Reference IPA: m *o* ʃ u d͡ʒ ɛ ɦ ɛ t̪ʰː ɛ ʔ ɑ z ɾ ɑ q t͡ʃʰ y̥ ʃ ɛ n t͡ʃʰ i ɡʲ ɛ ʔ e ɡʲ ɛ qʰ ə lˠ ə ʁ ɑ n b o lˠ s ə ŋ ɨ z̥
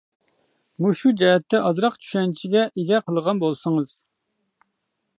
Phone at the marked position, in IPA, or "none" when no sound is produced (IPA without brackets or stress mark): u